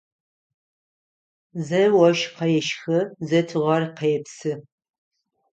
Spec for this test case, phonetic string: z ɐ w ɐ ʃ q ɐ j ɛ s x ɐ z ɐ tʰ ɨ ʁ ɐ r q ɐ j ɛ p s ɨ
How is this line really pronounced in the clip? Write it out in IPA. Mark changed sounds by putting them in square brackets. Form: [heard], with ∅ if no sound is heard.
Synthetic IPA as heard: z ɐ w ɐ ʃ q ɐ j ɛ [ʃ] x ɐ z ɐ tʰ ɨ ʁ ɐ r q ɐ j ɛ p s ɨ